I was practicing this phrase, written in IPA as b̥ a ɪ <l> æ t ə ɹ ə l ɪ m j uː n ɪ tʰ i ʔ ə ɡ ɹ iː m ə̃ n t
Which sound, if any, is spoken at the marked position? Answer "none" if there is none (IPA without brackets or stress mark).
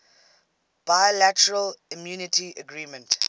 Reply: l